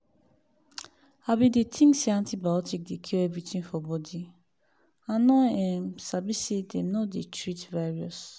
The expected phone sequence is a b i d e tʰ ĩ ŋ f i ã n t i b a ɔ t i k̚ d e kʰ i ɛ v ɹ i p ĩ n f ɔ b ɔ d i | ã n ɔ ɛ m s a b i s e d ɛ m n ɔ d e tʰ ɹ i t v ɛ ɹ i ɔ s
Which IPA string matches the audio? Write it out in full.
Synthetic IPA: a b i d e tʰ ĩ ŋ s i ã n t i b a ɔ t i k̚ d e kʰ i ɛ v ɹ i t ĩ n f ɔ b ɔ d i | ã n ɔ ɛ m s a b i s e d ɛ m n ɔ d e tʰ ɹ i t v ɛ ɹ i ɔ s